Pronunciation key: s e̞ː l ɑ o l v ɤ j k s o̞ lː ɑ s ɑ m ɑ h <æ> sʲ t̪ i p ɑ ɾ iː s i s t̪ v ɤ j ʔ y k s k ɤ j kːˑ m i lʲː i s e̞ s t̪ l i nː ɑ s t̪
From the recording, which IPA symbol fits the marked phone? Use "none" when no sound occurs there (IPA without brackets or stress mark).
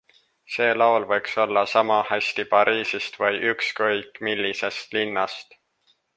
æ